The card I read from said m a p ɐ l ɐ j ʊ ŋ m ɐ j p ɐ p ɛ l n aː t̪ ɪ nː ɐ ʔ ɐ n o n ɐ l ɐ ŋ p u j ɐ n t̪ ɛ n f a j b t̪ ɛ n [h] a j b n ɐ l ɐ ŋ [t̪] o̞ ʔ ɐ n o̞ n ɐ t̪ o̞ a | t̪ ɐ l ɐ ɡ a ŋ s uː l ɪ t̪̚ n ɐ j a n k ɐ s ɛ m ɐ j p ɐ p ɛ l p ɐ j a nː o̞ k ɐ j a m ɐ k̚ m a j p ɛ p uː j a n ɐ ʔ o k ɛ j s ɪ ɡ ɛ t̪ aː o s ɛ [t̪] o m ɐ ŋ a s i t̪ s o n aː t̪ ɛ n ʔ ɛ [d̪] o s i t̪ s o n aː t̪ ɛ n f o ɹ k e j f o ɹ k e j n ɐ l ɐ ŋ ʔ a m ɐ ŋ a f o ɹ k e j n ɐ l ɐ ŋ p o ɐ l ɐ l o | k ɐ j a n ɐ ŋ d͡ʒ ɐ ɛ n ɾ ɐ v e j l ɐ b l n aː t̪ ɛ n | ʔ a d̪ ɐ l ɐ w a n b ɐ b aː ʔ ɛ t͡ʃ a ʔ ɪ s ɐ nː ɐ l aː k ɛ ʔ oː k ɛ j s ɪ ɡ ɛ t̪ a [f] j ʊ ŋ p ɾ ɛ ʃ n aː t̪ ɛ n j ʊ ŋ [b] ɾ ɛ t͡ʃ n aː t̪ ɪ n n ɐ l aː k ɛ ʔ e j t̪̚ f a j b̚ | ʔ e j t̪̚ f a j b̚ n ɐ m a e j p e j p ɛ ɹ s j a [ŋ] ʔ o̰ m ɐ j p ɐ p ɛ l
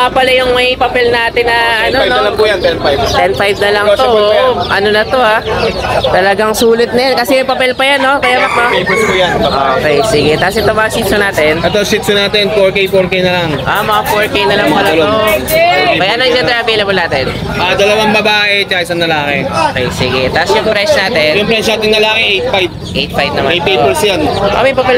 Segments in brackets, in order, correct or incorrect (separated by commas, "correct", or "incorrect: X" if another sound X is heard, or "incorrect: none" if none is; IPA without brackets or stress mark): incorrect: f, correct, correct, incorrect: t̪, incorrect: s, incorrect: p, incorrect: n